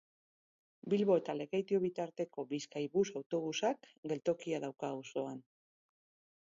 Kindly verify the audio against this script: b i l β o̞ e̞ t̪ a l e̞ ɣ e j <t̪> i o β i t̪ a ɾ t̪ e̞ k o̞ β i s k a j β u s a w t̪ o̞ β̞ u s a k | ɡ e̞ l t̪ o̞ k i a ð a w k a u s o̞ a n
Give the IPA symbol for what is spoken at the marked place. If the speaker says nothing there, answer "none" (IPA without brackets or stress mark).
t̪